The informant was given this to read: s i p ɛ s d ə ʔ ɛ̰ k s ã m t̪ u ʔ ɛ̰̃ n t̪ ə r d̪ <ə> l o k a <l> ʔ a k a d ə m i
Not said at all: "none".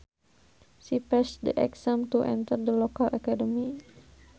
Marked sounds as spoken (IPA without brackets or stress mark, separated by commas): ə, l